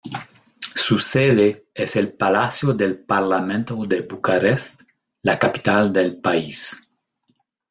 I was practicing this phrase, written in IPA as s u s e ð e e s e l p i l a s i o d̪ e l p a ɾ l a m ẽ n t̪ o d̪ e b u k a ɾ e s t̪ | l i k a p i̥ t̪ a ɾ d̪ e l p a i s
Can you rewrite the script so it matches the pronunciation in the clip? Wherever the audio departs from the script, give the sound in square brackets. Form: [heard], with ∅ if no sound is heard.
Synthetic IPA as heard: s u s e ð e e s e l p [a] l a s [j] o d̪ e l p a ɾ l a m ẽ n t̪ o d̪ e b u k a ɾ e s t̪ | l [a] k a p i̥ t̪ a [l] d̪ e l p a i s

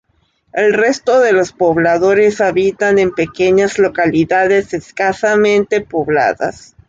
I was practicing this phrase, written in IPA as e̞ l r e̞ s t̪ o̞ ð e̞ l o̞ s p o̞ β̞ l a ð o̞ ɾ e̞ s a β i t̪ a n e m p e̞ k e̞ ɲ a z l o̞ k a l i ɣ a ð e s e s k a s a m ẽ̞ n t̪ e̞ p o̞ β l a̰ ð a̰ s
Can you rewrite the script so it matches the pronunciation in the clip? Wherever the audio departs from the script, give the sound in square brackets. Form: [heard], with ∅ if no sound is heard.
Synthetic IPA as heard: e̞ l r e̞ s t̪ o̞ ð e̞ l o̞ s p o̞ β̞ l a ð o̞ ɾ e̞ s a β i t̪ a n e m p e̞ k e̞ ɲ a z l o̞ k a l i [ð] a ð e s e s k a s a m ẽ̞ n t̪ e̞ p o̞ β l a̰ ð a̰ s

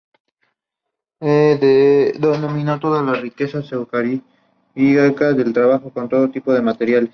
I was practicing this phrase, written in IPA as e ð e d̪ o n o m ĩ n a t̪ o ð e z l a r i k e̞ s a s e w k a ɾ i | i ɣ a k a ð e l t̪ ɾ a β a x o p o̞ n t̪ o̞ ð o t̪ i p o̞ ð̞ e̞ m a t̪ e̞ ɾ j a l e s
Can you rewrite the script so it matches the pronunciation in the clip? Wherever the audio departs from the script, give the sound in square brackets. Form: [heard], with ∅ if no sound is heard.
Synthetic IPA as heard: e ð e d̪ o n o m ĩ n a t̪ o ð [a] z l a r i k e̞ s a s e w k a ɾ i | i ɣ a k a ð e l t̪ ɾ a β a x o [k] o̞ n t̪ o̞ ð o t̪ i p o̞ ð̞ e̞ m a t̪ e̞ ɾ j a l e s

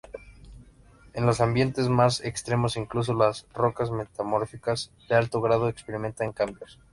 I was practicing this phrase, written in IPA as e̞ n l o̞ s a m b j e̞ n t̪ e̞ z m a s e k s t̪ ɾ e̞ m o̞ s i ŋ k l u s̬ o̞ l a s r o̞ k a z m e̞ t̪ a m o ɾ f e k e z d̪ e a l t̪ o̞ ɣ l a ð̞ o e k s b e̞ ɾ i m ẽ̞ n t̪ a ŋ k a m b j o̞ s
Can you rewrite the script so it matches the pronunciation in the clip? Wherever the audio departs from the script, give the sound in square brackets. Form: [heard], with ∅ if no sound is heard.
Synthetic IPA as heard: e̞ n l o̞ s a m b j e̞ n t̪ e̞ z m a s e k s t̪ ɾ e̞ m o̞ s i ŋ k l u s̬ o̞ l a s r o̞ k a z m e̞ t̪ a m o ɾ f [i] k [a] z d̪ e a l t̪ o̞ ɣ [ɾ] a ð̞ o e k s [p] e̞ ɾ i m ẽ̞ n t̪ a ŋ k a m b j o̞ s

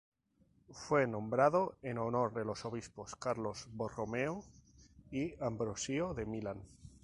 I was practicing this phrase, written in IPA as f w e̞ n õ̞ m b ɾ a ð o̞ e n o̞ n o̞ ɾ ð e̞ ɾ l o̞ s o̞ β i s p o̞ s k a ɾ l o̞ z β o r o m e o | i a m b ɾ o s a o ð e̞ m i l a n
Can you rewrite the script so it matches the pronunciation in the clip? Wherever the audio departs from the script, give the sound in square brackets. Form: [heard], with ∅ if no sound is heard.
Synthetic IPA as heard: f w e̞ n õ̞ m b ɾ a ð o̞ e n o̞ n o̞ ɾ ð e̞ [∅] l o̞ s o̞ β i s p o̞ s k a ɾ l o̞ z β o r o m e o | i a m b ɾ o s [i] o ð e̞ m i l a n

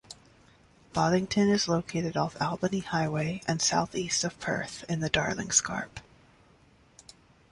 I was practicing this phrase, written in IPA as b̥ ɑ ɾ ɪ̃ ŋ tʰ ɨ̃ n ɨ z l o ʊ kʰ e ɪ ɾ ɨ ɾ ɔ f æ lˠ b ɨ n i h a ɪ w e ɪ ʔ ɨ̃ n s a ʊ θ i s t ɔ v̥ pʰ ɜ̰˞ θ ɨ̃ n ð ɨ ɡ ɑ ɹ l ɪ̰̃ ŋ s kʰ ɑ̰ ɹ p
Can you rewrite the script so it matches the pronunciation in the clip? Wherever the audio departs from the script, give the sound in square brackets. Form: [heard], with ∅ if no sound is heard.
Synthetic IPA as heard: b̥ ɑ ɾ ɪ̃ ŋ tʰ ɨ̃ n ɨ z l o ʊ kʰ e ɪ ɾ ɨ ɾ ɔ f æ lˠ b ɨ n i h a ɪ w e ɪ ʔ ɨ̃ n s a ʊ θ i s t [ʌ] v̥ pʰ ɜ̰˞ θ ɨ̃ n ð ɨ [d] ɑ ɹ l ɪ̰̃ ŋ s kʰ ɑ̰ ɹ p

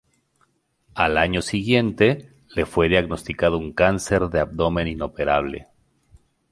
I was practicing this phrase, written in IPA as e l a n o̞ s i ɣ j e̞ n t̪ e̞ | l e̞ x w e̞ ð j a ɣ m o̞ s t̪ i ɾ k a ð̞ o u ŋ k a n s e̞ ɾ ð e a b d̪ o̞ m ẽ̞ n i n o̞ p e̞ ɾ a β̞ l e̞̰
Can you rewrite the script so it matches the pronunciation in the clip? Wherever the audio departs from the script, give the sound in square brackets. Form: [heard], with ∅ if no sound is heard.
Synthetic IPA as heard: [a] l a [ɲ] o̞ s i ɣ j e̞ n t̪ e̞ | l e̞ [f] w e̞ ð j a ɣ [n] o̞ s t̪ i [∅] k a ð̞ o u ŋ k a n s e̞ ɾ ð e a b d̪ o̞ m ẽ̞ n i n o̞ p e̞ ɾ a β̞ l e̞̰

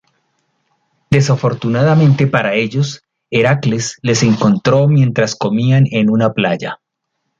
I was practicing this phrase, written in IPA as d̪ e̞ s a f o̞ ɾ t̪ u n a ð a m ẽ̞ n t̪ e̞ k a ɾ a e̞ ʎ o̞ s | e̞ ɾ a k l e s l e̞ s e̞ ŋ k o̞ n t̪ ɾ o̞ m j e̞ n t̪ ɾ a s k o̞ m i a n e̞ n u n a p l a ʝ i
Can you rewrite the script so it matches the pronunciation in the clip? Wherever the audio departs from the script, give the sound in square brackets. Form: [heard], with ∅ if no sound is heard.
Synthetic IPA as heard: d̪ e̞ s a f o̞ ɾ t̪ u n a ð a m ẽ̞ n t̪ e̞ [p] a ɾ a e̞ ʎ o̞ s | e̞ ɾ a k l e s l e̞ s e̞ ŋ k o̞ n t̪ ɾ o̞ m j e̞ n t̪ ɾ a s k o̞ m i a n e̞ n u n a p l a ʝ [a]

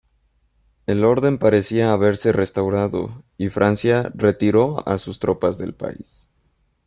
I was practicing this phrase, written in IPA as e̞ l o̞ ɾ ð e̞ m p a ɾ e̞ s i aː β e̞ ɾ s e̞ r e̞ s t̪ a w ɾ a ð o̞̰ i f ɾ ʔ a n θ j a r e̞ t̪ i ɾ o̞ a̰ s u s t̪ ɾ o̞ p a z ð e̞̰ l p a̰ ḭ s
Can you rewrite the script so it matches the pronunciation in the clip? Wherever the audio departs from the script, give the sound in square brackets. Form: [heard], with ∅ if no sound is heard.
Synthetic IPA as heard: e̞ l o̞ ɾ ð e̞ m p a ɾ e̞ s i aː β e̞ ɾ s e̞ r e̞ s t̪ a w ɾ a ð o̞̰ i f ɾ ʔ a n [s] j a r e̞ t̪ i ɾ o̞ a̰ s u s t̪ ɾ o̞ p a z ð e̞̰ l p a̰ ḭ s

